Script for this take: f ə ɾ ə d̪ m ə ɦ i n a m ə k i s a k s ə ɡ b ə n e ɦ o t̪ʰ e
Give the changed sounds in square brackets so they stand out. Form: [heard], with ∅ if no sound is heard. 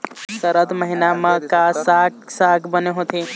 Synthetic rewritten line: [s] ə ɾ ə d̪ m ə ɦ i n a m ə k [a] s a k s [a] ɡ b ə n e ɦ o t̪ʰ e